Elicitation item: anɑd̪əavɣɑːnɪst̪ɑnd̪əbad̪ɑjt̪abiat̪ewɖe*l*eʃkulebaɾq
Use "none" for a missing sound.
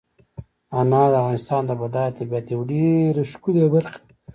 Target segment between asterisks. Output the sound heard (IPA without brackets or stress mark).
ɾ